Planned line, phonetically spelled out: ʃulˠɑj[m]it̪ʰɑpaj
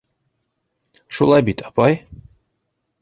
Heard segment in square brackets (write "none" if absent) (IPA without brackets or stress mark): b